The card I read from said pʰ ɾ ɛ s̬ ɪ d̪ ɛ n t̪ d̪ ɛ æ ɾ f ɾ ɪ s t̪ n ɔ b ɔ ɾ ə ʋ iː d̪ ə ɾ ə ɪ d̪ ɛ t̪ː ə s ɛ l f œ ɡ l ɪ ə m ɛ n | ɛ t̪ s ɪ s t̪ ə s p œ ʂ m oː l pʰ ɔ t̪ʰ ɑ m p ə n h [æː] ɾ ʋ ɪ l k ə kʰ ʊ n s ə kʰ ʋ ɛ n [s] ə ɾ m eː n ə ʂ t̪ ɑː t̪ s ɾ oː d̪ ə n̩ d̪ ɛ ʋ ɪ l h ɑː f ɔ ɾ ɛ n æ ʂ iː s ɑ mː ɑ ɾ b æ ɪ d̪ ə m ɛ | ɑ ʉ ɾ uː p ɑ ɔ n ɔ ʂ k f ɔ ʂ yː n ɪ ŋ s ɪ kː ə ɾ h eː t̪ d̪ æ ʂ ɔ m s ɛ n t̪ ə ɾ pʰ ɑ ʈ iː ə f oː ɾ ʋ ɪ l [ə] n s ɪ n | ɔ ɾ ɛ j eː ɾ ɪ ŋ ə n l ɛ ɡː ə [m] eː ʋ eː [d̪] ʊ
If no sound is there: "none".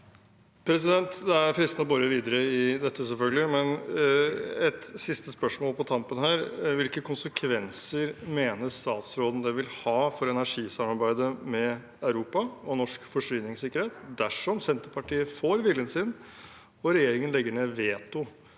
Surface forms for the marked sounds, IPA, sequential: æː, s, ə, ɳ, t̪

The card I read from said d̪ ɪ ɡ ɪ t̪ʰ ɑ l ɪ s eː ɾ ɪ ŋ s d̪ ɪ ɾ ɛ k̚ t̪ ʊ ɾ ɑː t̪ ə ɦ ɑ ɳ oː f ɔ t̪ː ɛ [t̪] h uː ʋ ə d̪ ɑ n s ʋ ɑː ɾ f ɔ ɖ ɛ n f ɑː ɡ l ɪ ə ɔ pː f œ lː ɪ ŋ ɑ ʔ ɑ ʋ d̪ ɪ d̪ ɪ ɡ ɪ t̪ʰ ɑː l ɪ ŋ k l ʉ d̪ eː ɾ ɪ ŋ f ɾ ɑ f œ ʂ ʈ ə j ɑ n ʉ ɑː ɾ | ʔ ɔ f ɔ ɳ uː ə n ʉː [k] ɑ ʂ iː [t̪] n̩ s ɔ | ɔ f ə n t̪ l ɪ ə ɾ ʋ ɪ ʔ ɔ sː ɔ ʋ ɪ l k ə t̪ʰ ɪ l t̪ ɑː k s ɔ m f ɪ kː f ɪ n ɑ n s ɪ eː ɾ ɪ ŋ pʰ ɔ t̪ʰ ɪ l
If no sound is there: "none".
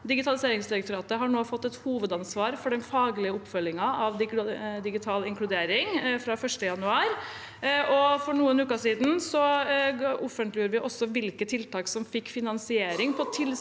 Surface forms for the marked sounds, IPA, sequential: t̪, k, d̪

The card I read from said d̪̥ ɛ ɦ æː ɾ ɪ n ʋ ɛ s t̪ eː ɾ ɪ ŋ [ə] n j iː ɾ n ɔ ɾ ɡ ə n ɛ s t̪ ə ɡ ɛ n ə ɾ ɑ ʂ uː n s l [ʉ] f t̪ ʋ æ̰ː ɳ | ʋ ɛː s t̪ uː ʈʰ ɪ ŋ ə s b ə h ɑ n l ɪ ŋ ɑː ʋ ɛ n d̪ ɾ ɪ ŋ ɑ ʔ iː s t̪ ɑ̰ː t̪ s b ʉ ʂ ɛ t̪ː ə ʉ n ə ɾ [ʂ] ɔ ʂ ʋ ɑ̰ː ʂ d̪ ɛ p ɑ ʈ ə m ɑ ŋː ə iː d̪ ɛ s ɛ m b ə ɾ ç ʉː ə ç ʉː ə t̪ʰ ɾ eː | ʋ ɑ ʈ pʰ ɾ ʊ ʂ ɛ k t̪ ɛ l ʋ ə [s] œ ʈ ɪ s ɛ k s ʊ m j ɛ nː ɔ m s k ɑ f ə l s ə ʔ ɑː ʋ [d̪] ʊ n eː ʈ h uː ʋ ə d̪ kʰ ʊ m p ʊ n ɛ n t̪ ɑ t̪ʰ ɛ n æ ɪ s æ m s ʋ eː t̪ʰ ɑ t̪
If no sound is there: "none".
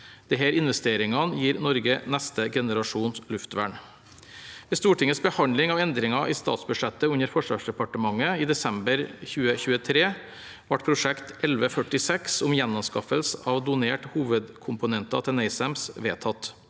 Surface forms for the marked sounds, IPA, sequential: ɑ, ʉ, f, f, d̪

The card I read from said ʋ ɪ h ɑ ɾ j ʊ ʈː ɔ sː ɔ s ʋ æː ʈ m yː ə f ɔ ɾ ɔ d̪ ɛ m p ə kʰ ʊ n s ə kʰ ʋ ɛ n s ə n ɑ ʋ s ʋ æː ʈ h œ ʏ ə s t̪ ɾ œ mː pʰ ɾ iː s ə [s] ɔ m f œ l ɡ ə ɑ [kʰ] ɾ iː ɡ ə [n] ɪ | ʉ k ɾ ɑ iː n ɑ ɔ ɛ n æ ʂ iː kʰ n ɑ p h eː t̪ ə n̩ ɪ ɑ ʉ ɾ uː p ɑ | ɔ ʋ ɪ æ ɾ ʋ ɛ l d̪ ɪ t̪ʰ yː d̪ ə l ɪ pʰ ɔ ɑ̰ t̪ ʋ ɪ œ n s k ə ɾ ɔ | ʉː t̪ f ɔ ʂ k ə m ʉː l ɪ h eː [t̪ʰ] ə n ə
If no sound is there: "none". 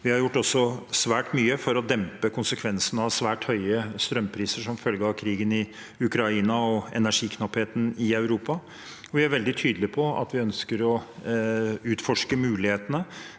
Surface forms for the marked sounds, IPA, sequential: ʂ, kʰ, n, t̪

